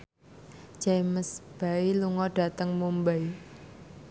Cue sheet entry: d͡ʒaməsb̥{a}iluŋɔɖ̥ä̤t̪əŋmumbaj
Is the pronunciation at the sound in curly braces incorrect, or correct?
correct